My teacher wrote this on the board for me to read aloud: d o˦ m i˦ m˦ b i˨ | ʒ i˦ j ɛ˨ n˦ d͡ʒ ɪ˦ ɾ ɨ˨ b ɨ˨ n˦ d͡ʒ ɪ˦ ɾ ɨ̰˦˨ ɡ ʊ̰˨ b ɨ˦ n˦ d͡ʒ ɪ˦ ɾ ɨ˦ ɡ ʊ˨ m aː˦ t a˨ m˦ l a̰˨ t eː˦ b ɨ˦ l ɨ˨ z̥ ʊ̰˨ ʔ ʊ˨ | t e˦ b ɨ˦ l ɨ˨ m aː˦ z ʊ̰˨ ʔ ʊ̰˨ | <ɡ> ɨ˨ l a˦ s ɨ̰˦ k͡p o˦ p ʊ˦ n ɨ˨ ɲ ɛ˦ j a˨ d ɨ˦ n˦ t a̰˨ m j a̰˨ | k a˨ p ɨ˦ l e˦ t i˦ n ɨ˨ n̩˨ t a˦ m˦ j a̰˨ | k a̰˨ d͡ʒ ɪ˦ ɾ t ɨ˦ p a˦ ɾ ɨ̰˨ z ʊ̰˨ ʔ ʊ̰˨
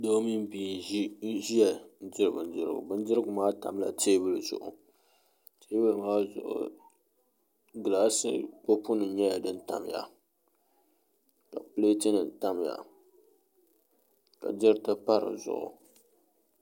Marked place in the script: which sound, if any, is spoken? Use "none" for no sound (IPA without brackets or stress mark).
ɡ